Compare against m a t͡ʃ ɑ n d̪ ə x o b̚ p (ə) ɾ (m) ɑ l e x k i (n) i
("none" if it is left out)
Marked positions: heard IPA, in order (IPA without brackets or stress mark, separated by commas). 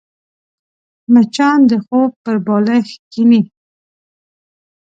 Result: ə, b, n